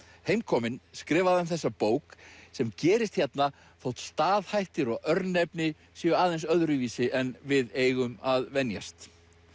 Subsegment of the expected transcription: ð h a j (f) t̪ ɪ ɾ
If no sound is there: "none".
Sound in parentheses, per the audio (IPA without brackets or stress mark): h